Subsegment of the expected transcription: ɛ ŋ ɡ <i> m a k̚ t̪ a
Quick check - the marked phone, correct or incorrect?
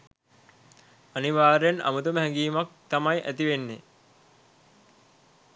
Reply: incorrect